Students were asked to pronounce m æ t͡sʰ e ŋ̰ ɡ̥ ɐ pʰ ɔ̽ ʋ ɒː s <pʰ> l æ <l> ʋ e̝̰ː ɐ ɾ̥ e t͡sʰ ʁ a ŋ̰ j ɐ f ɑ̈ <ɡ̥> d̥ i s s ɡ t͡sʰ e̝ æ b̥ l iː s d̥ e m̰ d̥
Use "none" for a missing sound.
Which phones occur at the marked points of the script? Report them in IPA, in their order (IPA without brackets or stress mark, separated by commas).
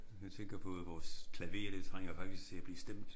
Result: kʰ, none, ɡ̥